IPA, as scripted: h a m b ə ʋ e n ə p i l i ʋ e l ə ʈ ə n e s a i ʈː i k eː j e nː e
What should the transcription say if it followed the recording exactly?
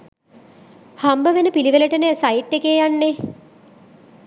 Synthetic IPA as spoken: h a m b ə ʋ e n ə p i l i ʋ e l ə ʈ ə n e s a i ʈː e k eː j a nː e